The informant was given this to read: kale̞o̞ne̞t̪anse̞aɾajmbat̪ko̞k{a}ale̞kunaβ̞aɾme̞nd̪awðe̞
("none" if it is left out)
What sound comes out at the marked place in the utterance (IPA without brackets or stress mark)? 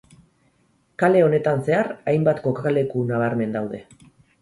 a